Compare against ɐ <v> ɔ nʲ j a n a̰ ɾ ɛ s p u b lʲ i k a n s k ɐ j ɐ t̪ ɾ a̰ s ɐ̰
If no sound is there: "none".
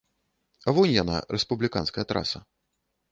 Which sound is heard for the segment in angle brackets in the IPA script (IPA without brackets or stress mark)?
v